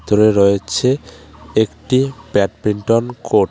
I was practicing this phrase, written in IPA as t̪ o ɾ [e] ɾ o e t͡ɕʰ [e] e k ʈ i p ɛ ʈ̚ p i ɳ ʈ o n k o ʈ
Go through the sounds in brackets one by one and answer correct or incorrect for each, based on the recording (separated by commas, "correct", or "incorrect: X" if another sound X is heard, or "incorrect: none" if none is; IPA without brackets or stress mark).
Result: correct, correct